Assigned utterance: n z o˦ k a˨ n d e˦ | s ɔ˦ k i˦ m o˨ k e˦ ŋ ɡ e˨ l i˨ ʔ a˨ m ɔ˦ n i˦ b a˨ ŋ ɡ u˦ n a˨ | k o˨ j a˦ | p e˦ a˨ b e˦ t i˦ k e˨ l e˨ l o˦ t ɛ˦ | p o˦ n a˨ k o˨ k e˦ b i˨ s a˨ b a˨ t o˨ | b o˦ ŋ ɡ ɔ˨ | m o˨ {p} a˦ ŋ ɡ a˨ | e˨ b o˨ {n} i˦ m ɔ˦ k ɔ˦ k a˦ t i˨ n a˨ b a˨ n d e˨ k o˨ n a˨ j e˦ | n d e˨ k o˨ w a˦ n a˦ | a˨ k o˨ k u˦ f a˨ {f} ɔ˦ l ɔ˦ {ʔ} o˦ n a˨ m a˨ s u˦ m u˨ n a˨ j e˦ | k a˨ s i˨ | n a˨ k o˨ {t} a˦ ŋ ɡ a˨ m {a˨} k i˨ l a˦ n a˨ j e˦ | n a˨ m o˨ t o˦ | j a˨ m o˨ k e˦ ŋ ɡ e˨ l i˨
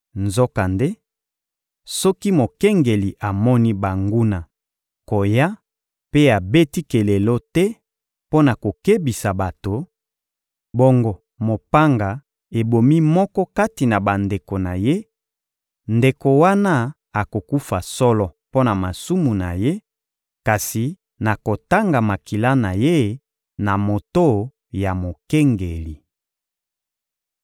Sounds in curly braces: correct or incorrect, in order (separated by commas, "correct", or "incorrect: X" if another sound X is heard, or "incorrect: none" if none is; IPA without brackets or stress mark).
correct, incorrect: m, incorrect: s, incorrect: p, correct, correct